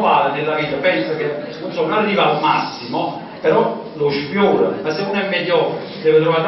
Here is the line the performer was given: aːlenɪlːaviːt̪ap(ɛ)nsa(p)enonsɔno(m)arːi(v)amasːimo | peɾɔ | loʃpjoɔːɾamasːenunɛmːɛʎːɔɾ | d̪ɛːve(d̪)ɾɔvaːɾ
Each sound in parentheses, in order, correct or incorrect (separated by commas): correct, incorrect, incorrect, correct, incorrect